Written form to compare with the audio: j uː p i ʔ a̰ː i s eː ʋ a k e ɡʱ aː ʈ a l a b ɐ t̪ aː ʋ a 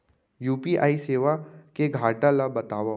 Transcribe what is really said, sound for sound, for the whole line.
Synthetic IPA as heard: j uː p i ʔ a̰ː i s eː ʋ a k e ɡʱ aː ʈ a l a b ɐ t̪ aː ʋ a